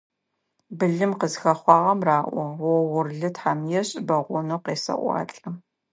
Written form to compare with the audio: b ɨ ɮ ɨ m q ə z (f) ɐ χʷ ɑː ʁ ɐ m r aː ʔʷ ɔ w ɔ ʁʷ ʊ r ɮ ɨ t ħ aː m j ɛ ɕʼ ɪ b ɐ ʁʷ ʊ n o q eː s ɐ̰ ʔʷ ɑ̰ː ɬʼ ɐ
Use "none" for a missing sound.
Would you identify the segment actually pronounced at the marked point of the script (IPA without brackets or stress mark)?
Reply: x